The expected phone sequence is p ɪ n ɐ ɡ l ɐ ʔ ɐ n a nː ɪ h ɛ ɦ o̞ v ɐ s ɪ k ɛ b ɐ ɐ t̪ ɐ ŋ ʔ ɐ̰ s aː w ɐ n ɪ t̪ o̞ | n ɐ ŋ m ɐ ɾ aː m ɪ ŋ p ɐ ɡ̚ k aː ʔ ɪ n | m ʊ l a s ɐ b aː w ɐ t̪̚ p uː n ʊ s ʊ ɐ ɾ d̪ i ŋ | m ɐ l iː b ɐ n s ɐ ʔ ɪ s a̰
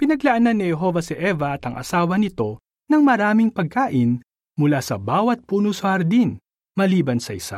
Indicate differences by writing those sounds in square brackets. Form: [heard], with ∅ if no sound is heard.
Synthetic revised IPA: p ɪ n ɐ ɡ l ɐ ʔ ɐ n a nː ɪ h ɛ ɦ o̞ v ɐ s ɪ [ʔ] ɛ [v] ɐ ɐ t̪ ɐ ŋ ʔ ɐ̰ s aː w ɐ n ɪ t̪ o̞ | n ɐ ŋ m ɐ ɾ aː m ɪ ŋ p ɐ ɡ̚ k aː ʔ ɪ n | m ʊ l a s ɐ b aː w ɐ t̪̚ p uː n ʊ s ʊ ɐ ɾ d̪ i [n] | m ɐ l iː b ɐ n s ɐ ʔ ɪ s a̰